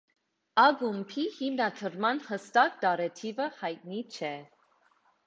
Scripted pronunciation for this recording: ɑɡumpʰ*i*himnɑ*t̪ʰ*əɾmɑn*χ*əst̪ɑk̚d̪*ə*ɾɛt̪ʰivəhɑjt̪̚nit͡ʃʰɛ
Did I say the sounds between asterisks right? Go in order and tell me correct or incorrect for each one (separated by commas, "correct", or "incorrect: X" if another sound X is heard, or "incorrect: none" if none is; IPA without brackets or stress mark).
correct, correct, incorrect: h, incorrect: ɑ